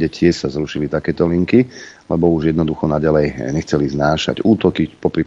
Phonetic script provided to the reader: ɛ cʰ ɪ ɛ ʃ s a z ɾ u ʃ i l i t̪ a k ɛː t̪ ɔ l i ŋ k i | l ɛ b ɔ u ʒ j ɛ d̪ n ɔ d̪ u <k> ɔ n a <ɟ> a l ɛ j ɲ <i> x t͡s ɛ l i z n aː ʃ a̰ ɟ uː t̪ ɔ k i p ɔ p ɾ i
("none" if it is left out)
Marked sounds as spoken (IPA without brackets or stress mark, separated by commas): x, ɟ, ɛ